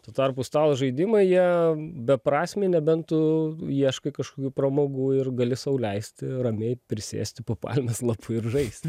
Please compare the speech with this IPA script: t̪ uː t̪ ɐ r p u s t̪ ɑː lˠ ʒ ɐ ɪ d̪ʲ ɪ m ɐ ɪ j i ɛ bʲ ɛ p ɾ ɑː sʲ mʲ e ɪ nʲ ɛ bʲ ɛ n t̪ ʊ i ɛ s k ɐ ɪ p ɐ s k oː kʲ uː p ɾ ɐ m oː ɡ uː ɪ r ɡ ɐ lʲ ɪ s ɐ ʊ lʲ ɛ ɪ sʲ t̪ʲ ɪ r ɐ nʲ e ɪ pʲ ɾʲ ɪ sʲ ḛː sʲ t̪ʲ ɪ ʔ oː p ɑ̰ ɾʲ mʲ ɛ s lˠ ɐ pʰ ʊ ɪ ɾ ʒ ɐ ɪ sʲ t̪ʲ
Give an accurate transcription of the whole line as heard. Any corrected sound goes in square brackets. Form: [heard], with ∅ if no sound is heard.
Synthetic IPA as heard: t̪ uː t̪ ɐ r p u s t̪ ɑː lˠ ʒ ɐ ɪ d̪ʲ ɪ m ɐ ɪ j i ɛ bʲ ɛ p ɾ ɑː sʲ mʲ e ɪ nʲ ɛ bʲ ɛ n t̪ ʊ i ɛ [ʃ] k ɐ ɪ [k] ɐ [ʃ] k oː kʲ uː p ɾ ɐ m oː ɡ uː ɪ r ɡ ɐ lʲ ɪ s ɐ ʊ lʲ ɛ ɪ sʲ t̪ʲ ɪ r ɐ [mʲ] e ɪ pʲ ɾʲ ɪ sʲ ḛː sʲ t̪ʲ ɪ [p] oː p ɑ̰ [lʲ] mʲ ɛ s lˠ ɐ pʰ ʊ ɪ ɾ ʒ ɐ ɪ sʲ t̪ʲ